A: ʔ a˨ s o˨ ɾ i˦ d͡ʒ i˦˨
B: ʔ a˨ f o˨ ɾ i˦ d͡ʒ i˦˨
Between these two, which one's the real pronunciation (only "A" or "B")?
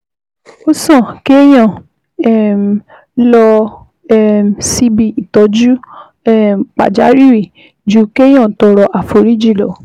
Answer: B